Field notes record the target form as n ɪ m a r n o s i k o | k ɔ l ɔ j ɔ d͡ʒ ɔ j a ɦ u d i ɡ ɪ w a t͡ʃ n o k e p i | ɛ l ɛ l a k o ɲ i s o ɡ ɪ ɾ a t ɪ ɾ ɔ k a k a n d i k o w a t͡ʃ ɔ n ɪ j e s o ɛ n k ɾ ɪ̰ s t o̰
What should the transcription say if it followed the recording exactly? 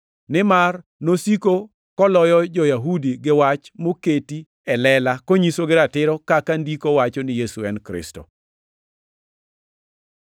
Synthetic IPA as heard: n ɪ m a r n o s i k o | k ɔ l ɔ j ɔ d͡ʒ ɔ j a ɦ u d i ɡ ɪ w a t͡ʃ m o k e t i | ɛ l ɛ l a k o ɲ i s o ɡ ɪ ɾ a t ɪ ɾ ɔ k a k a n d i k o w a t͡ʃ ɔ n ɪ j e s u ɛ n k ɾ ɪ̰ s t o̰